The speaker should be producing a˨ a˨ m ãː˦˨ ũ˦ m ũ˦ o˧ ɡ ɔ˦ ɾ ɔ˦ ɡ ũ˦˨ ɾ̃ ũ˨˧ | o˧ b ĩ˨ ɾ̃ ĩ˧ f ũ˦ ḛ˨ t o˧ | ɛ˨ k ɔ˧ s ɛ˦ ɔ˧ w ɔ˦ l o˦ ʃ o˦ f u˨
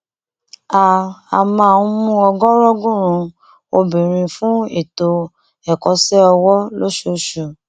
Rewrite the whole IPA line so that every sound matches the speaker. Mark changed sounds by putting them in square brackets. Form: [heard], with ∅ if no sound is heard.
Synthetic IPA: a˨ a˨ m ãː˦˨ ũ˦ m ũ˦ [ɔ˧] ɡ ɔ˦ ɾ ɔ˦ ɡ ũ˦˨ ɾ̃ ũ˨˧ | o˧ b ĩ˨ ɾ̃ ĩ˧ f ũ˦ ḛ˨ t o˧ | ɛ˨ k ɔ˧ s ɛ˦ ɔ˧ w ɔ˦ l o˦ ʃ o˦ [ʃ] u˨